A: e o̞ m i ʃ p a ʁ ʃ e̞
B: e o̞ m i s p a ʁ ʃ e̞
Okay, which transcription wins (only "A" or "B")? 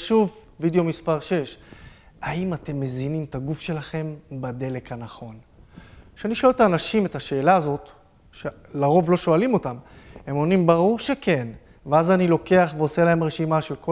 B